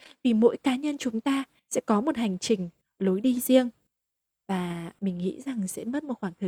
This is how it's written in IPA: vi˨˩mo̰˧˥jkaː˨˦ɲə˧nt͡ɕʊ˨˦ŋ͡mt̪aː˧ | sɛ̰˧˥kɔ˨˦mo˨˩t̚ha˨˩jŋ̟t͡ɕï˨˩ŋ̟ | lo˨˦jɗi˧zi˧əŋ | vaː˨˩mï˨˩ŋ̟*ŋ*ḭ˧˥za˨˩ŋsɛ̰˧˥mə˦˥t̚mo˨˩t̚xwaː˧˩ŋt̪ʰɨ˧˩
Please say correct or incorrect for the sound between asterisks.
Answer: correct